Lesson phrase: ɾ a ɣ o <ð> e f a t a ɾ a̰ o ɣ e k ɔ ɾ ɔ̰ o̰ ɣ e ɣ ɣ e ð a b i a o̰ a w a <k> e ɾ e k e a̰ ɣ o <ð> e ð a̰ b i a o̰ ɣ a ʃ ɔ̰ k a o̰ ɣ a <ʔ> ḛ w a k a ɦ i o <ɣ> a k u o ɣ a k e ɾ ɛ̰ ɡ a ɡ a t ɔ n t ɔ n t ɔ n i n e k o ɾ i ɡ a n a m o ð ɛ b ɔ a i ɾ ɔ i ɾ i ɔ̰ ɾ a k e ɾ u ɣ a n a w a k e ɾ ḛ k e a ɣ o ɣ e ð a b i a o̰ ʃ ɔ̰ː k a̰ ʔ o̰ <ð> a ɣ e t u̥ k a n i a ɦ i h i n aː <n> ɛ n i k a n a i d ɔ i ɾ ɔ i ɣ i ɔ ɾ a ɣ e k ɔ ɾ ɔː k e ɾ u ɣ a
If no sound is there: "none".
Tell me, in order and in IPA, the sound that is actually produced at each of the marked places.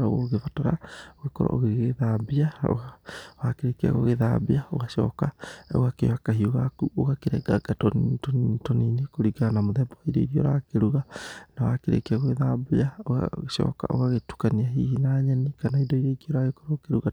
ɣ, k, ɣ, k, ɣ, ɣ, ɲ

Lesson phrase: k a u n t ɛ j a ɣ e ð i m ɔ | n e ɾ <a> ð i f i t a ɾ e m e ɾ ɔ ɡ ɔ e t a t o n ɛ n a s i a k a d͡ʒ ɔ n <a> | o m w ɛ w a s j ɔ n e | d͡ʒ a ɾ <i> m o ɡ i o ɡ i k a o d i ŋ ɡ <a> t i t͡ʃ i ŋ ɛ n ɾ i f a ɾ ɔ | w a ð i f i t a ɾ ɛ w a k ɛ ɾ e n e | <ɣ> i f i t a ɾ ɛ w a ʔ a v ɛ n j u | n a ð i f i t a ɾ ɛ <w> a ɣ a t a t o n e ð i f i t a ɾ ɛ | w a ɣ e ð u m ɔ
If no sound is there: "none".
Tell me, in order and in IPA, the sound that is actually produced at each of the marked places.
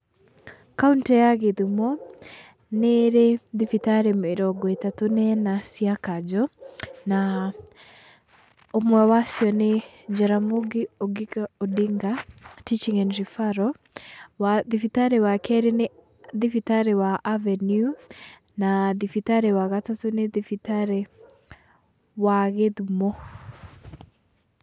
e, a, a, a, ð, w

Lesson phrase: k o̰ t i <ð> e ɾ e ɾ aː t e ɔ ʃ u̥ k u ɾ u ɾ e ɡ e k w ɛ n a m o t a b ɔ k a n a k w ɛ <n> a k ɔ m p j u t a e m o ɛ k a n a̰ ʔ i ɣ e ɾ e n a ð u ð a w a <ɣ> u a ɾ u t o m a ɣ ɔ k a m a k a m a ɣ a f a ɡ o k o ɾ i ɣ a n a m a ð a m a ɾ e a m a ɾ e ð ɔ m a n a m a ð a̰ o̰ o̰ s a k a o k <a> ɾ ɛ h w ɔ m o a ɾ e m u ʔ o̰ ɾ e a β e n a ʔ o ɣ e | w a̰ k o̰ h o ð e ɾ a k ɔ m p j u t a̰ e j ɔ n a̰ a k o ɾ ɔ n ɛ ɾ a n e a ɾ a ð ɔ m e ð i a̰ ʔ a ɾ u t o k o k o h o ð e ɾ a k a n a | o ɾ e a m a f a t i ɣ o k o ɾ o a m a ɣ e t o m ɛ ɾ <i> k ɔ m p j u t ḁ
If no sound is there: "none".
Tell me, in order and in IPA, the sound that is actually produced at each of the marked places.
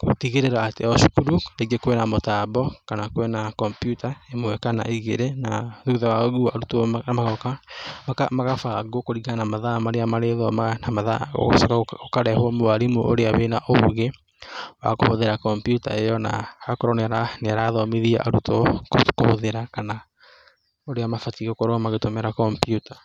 ɣ, n, ɣ, a, a

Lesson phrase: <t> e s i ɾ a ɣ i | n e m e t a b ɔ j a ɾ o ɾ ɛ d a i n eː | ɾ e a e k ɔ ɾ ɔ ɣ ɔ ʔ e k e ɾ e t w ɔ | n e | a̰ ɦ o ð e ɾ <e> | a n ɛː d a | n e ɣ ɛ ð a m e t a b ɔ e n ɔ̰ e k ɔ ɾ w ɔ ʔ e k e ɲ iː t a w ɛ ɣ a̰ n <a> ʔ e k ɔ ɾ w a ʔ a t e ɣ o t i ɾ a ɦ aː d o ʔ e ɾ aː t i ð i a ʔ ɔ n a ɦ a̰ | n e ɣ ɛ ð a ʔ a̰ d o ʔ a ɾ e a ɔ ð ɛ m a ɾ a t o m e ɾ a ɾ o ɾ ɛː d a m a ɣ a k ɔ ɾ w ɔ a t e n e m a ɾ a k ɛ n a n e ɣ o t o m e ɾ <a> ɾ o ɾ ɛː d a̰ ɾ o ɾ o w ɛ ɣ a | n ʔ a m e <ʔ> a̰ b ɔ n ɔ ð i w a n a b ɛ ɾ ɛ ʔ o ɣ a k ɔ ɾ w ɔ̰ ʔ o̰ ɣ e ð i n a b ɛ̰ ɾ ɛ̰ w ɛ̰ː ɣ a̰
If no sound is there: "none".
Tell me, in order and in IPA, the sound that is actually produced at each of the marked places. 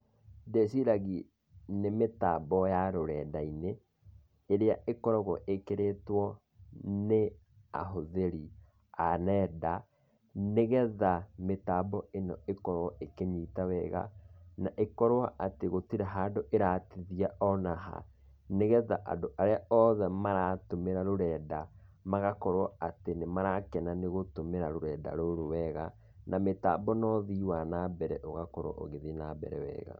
d, i, a, a, t

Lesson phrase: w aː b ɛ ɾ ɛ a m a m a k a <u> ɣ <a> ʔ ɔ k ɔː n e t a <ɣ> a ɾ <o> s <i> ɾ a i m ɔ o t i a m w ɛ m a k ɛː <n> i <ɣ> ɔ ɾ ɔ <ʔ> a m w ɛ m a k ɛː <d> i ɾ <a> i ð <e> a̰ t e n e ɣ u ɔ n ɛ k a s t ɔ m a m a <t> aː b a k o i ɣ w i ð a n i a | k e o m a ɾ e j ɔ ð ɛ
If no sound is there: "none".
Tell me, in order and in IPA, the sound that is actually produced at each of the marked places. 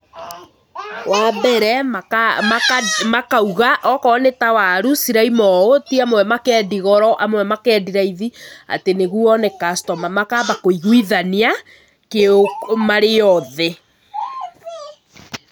u, a, w, u, i, d, ɣ, ʔ, d, a, i, k

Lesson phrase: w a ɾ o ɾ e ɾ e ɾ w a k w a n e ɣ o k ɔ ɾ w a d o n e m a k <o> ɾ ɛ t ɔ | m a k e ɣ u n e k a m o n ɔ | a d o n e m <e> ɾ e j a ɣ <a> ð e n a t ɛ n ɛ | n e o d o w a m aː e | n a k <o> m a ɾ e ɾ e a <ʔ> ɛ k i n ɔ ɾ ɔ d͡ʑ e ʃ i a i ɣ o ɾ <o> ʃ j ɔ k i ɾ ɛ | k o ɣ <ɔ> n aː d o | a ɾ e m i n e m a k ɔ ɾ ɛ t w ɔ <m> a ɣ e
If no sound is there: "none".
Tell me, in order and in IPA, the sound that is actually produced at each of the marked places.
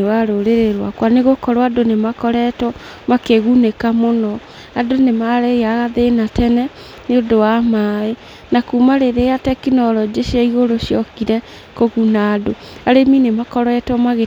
ɔ, a, a, u, t, o, u, m

